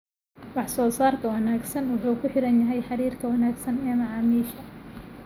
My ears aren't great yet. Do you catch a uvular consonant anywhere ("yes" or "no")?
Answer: no